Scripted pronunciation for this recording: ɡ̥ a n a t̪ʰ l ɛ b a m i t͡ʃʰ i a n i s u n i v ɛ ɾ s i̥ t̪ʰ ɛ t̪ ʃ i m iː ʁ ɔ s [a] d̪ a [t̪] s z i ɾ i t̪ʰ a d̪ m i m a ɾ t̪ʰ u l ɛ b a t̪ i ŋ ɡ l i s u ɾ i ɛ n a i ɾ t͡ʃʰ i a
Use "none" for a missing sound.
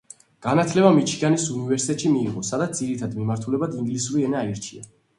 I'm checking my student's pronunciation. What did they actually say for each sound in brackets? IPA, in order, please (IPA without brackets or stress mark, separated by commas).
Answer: a, t̪